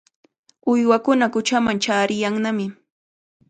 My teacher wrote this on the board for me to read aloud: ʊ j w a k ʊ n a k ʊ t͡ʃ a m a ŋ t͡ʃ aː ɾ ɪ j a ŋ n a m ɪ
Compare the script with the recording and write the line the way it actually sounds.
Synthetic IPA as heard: ʊ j w a k ʊ n a k ʊ t͡ʃ a m a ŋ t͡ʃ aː ɾ ɪ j a ŋ n a m ɪ